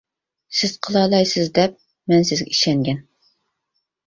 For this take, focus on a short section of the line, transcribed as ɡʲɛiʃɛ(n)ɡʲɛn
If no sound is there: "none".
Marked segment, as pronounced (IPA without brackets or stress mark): ŋ